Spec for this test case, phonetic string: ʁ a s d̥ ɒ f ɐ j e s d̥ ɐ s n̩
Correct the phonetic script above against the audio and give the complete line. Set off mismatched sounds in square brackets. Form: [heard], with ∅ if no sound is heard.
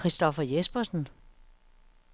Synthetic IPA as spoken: ʁ [i] s d̥ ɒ f ɐ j e s [b̥] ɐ s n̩